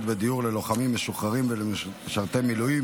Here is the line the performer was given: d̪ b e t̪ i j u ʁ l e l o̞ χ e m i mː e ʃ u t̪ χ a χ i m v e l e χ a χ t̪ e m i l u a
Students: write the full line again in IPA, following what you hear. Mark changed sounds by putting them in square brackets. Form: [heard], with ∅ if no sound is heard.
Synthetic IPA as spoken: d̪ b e [d̪] i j u ʁ l e l o̞ χ [a] m i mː e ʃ u [∅] χ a [ʁ] i m v e l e [ʃ] a [ʁ] t̪ e m i l u [i]